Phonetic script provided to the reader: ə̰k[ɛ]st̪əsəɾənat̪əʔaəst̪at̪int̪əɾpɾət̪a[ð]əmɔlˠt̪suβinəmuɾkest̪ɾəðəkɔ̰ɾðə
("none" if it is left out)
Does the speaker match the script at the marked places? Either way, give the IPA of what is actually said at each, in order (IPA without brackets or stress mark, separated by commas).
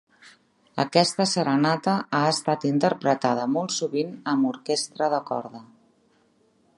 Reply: ɛ, ð